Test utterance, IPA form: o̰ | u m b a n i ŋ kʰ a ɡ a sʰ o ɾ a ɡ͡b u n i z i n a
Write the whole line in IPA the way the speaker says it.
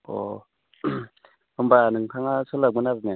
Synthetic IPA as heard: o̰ | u m b a n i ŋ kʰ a ŋ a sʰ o l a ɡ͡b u n a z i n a